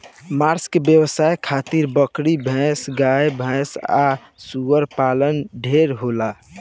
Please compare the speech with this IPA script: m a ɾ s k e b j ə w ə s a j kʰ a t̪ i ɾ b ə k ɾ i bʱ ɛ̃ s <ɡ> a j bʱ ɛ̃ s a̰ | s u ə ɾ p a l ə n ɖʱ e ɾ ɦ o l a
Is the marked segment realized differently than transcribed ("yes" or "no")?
no